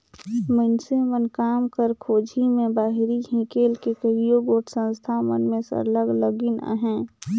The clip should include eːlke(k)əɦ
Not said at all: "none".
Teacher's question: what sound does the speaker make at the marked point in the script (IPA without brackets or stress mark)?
k